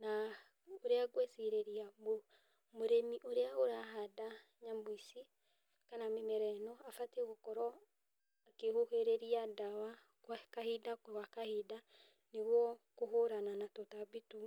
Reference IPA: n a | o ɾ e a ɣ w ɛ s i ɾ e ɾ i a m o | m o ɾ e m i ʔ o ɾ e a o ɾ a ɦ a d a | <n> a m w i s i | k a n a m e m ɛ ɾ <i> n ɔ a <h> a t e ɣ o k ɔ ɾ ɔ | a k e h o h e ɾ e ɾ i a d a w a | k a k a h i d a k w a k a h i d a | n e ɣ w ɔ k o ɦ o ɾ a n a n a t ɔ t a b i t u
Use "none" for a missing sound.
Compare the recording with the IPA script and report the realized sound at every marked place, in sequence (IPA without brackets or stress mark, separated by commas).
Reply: ɲ, ɛ, f